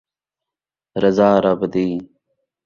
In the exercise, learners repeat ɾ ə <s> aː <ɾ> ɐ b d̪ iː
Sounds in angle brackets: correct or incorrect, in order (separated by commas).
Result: incorrect, correct